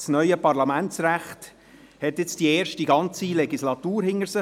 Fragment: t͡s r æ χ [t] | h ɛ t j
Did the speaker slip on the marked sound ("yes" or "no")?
no